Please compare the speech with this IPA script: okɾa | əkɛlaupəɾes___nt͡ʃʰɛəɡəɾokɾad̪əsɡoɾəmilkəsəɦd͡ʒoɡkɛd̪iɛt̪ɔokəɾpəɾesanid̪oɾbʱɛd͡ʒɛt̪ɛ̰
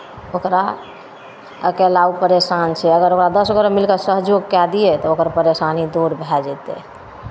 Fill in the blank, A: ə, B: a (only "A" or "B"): B